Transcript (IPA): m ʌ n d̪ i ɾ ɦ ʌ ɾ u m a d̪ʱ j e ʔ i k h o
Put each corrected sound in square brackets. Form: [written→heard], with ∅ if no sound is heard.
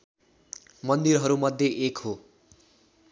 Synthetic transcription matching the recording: m ʌ n d̪ i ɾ ɦ ʌ ɾ u m [a→ʌ] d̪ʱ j e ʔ [i→e] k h o

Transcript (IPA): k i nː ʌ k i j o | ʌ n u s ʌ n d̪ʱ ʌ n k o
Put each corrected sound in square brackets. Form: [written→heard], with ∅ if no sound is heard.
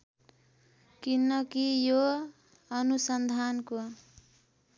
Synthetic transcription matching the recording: k i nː ʌ k i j o | ʌ n u s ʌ n d̪ʱ [ʌ→a] n k o

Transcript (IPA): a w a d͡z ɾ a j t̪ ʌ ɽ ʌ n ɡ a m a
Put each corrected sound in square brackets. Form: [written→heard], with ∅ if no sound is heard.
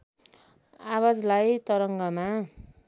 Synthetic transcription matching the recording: a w a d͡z [ɾ→l] a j t̪ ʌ [ɽ→ɾ] ʌ [n→ŋ] ɡ [a→ʌ] m a

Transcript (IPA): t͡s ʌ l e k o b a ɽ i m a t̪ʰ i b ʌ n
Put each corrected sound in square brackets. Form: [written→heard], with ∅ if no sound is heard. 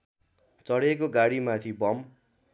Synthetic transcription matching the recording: t͡s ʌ [l→ɽ] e k o [b→ɡ] a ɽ i m a t̪ʰ i b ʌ [n→m]

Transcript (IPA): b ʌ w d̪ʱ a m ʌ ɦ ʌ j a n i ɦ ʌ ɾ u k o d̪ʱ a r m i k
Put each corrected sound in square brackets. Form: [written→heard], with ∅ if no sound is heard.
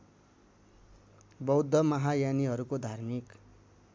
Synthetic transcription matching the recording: b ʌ w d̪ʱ [a→ʌ] m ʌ ɦ [ʌ→a] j a n i ɦ ʌ ɾ u k o d̪ʱ a r m i k

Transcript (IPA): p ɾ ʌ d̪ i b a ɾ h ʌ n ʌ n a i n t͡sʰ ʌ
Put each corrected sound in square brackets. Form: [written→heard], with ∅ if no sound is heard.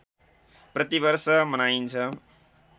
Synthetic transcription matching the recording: p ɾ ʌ [d̪→t̪] i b [a→ʌ] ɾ [h→s] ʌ [n→m] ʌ n a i n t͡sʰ ʌ

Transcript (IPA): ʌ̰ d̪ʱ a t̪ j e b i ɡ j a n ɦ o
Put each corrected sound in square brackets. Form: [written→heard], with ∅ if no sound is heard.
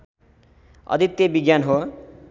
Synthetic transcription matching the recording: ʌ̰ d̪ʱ [a→i] t̪ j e b i ɡ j a n ɦ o

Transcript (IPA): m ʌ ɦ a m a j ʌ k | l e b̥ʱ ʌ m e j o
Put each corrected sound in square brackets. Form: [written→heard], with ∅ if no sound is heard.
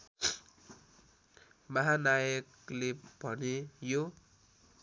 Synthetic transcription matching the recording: m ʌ ɦ a [m→n] a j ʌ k | l e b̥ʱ ʌ [m→n] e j o

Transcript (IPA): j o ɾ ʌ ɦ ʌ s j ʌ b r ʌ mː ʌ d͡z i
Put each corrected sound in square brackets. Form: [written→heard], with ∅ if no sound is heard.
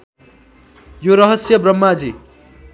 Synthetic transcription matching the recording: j o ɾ ʌ ɦ ʌ s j ʌ b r ʌ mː [ʌ→a] d͡z i

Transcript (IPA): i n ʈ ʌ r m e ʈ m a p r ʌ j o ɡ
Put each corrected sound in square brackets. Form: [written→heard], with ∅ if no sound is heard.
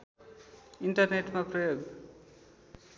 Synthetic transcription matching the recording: i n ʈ ʌ r [m→n] e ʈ m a p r ʌ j o ɡ

